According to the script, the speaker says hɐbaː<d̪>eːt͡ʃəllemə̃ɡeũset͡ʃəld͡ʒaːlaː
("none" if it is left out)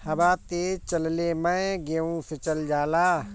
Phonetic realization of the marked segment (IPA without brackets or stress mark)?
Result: t̪